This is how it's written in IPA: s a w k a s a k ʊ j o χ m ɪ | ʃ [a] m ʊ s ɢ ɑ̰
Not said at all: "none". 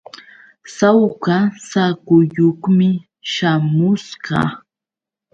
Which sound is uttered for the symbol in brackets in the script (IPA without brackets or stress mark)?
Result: a